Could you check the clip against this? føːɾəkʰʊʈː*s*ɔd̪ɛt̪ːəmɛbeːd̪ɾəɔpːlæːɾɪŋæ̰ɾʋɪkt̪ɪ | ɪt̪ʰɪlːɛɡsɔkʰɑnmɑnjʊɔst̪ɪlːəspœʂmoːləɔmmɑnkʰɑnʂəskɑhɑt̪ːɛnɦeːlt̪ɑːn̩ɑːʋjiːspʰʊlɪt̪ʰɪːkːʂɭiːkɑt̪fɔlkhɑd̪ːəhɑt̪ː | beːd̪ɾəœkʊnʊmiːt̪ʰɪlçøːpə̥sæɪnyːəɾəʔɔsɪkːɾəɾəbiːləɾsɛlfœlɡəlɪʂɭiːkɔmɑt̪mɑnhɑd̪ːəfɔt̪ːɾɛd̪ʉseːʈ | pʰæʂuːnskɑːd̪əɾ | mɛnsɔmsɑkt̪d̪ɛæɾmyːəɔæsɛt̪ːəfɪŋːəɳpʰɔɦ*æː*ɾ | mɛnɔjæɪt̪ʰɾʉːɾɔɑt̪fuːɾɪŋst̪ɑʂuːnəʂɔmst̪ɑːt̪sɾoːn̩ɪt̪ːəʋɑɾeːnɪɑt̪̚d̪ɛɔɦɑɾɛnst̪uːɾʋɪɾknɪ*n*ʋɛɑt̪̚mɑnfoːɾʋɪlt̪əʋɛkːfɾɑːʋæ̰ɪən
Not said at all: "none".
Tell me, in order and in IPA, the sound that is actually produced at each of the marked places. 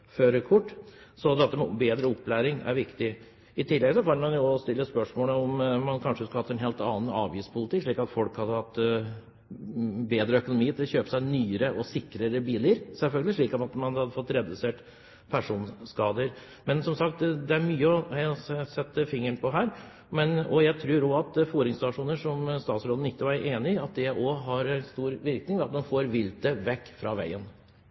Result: s, æː, ŋ

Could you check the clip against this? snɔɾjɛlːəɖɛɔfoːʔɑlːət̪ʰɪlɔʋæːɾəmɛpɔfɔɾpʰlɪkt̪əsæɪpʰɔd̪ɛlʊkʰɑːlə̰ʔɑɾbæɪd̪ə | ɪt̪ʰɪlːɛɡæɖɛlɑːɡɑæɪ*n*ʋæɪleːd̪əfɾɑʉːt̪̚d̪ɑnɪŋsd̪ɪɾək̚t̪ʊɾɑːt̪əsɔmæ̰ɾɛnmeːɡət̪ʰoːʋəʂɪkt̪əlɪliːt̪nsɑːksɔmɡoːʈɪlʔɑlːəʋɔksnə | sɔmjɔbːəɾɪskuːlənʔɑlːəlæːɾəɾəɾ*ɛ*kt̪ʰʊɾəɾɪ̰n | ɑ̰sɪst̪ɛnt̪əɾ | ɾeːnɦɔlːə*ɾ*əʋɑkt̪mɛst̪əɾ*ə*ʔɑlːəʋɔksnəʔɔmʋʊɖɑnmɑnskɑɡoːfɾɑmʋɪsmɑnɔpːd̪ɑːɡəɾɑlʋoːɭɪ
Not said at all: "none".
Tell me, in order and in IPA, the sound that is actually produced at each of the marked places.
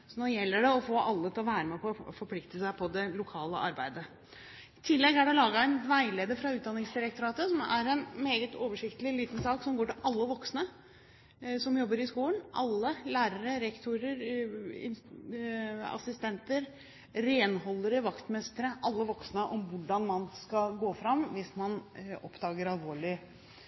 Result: n, ɛ, ɾ, ə

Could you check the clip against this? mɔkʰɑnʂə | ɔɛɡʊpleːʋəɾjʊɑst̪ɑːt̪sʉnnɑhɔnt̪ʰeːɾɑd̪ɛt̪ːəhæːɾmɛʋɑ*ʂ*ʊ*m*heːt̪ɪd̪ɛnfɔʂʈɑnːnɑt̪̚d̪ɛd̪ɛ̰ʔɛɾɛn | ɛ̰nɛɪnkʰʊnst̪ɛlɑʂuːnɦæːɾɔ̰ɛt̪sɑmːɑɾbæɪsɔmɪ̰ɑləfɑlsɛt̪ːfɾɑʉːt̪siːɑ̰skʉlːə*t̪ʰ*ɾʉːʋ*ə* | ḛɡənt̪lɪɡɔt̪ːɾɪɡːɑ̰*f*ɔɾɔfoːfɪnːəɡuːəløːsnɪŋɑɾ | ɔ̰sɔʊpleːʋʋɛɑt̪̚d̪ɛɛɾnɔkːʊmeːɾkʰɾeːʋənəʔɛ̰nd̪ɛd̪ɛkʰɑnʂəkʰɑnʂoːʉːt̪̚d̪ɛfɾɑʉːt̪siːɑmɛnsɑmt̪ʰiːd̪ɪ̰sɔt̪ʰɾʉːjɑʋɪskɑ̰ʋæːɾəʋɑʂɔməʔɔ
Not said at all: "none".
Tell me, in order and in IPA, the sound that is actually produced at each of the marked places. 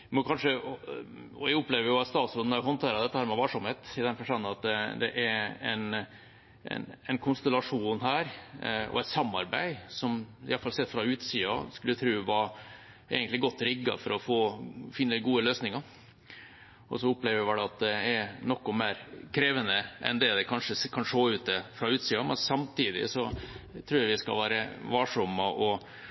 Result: ʂ, m, t̪ʰ, ɑ, f

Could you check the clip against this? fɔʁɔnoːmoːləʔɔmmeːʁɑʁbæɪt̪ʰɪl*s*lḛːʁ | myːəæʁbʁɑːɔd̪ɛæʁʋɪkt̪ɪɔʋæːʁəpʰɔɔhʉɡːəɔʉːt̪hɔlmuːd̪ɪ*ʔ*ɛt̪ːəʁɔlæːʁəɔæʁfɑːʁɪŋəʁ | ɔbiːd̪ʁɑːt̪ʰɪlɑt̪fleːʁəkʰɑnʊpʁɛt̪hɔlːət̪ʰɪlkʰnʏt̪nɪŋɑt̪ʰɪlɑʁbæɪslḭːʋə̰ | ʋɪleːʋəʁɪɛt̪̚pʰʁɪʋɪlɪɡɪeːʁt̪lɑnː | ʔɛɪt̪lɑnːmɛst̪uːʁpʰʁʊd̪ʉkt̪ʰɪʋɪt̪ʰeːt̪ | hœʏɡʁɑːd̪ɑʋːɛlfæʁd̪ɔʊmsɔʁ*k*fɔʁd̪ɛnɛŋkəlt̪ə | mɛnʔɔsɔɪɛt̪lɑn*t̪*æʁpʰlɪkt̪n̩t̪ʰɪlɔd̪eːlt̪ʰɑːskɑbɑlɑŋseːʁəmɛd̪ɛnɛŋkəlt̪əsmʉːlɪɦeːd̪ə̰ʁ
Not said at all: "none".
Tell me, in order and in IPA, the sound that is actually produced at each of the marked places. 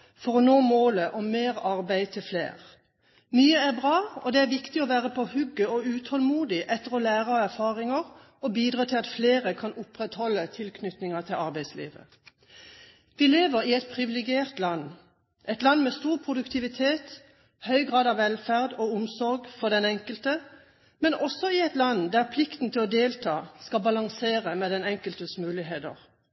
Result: f, ʔ, ɡ, d̪

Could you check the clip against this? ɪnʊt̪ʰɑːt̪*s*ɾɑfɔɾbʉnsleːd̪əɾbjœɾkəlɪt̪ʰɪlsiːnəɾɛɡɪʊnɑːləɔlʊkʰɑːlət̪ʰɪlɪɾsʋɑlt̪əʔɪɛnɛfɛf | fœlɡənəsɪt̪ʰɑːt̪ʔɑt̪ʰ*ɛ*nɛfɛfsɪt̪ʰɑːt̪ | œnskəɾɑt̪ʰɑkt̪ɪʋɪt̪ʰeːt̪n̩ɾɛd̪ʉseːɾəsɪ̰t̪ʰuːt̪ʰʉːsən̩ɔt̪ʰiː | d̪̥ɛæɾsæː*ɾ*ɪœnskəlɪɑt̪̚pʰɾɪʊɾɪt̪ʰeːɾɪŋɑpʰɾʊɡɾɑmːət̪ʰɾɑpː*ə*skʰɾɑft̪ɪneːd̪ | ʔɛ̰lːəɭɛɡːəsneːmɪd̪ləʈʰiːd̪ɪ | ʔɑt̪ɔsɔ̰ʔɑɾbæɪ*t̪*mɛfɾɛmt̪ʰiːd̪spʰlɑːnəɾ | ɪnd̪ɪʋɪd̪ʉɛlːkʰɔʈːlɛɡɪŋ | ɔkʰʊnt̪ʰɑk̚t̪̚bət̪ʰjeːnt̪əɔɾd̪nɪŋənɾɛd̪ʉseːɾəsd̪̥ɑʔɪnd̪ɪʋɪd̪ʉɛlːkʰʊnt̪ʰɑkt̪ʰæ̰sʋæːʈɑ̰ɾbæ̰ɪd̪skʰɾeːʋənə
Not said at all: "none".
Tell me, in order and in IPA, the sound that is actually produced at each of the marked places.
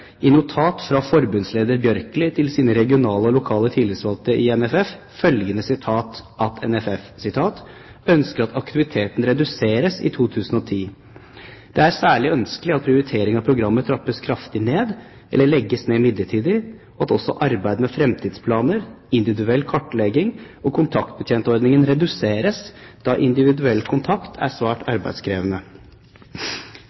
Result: f, ɛ, ɭ, ə, d̪

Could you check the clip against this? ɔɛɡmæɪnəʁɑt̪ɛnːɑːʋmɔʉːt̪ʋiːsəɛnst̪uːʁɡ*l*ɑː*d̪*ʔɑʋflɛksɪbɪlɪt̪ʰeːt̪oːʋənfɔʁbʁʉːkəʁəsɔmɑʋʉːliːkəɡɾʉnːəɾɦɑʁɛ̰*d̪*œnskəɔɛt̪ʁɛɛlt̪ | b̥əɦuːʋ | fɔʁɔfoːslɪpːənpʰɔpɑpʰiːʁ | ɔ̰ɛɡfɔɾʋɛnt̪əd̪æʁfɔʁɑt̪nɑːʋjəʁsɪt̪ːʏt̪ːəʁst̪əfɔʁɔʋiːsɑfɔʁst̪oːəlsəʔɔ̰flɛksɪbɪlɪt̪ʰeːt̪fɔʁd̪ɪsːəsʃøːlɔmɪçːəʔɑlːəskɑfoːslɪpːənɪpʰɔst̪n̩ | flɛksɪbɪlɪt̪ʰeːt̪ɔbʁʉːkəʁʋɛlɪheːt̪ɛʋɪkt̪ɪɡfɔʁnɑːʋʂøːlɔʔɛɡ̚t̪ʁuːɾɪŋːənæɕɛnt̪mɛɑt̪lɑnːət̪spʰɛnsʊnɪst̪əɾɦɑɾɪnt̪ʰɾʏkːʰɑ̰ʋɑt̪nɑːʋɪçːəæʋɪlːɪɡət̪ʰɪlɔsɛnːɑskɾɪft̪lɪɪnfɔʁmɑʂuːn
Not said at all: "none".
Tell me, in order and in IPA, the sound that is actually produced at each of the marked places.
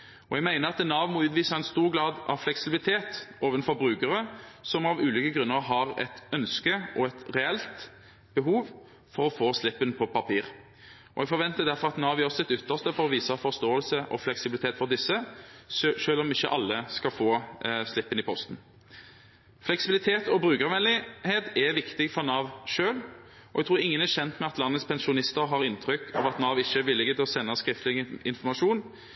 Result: l, d̪, t̪

